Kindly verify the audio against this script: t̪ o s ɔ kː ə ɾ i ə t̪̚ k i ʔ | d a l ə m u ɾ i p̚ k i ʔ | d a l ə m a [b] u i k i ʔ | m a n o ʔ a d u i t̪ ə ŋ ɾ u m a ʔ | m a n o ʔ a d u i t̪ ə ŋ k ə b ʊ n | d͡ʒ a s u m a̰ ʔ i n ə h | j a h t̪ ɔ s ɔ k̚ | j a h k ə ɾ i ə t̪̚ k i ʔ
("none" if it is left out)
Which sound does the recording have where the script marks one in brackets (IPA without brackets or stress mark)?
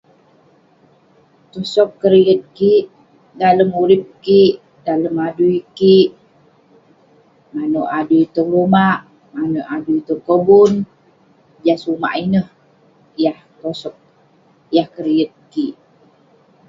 d